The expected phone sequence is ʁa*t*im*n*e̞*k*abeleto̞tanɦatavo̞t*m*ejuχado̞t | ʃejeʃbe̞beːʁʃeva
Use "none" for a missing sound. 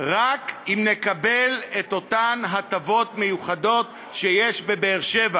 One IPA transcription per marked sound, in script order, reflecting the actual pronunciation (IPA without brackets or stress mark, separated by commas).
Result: k, n, k, m